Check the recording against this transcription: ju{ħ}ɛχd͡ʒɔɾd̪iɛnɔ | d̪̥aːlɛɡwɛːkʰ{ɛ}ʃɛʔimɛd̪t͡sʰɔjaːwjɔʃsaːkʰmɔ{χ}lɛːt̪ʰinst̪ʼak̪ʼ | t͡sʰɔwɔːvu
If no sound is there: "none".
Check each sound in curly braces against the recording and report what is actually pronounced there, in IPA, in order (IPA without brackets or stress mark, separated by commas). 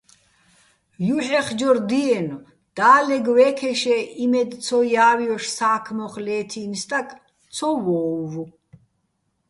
ħ, ɛ, χ